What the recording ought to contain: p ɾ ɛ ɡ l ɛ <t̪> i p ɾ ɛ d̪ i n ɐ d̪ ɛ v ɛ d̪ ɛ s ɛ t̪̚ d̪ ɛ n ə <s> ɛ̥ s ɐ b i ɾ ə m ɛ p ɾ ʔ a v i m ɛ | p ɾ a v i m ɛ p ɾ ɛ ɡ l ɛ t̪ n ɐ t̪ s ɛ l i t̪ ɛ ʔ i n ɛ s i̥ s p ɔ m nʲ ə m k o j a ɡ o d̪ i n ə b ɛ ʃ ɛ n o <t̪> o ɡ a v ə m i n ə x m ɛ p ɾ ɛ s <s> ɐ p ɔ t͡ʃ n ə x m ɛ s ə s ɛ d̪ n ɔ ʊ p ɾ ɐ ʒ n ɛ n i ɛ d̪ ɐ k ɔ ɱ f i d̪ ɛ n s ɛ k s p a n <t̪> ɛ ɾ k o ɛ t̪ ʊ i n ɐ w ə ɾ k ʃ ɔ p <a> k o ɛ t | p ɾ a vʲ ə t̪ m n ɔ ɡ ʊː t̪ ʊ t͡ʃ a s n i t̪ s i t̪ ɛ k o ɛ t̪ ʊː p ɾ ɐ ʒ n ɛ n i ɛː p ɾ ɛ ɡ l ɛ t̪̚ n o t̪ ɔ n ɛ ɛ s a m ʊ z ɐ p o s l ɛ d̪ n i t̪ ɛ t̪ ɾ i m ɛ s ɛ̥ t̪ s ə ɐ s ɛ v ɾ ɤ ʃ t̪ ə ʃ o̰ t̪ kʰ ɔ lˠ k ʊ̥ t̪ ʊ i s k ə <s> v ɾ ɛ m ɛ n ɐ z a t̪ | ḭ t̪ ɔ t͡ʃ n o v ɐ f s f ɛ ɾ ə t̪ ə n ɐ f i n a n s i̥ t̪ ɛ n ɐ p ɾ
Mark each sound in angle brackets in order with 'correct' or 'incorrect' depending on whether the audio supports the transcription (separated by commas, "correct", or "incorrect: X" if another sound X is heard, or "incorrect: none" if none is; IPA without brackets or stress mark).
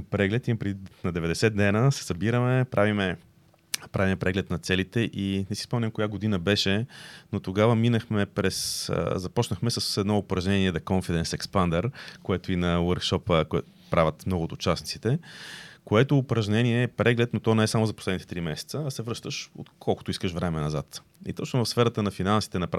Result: correct, correct, correct, incorrect: z, incorrect: d̪, incorrect: ə, incorrect: ʃ